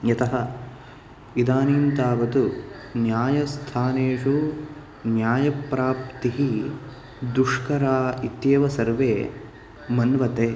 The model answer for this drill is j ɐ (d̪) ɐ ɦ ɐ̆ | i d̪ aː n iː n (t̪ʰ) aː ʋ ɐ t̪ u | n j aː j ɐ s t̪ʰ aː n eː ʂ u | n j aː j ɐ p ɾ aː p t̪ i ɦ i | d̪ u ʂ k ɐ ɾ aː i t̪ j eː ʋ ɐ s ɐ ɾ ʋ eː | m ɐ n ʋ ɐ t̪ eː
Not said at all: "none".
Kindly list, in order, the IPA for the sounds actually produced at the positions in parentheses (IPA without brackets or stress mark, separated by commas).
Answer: t̪, t̪